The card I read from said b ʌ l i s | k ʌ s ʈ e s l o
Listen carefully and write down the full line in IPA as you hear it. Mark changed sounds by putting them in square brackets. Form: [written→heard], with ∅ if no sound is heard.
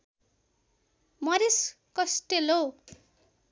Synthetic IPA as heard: [b→m] ʌ [l→ɾ] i s | k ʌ s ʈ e [s→∅] l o